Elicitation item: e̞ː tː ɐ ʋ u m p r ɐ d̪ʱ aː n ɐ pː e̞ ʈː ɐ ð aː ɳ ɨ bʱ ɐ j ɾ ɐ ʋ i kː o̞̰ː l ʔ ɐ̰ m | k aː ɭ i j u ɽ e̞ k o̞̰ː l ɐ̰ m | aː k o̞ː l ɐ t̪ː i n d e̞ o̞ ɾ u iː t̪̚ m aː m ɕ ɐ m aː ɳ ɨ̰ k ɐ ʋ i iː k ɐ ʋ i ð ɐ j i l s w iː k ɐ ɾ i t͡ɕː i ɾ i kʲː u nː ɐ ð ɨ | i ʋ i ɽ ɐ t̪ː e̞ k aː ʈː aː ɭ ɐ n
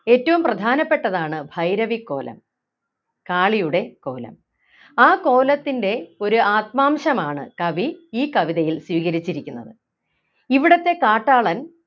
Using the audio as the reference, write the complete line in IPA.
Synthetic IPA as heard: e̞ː tː ɐ ʋ u m p r ɐ d̪ʱ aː n ɐ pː e̞ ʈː ɐ ð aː ɳ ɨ bʱ ɐ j ɾ ɐ ʋ i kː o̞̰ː l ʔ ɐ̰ m | k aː ɭ i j u ɽ e̞ k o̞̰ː l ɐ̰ m | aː k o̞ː l ɐ t̪ː i n d e̞ o̞ ɾ u aː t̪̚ m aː m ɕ ɐ m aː ɳ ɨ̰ k ɐ ʋ i iː k ɐ ʋ i ð ɐ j i l s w iː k ɐ ɾ i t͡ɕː i ɾ i kʲː u nː ɐ ð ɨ | i ʋ i ɽ ɐ t̪ː e̞ k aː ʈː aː ɭ ɐ n